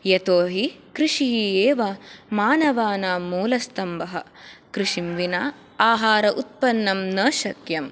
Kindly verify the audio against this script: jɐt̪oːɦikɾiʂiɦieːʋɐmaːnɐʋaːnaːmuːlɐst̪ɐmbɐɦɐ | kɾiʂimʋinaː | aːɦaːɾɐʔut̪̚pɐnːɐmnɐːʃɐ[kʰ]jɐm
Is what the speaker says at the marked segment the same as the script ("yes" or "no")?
no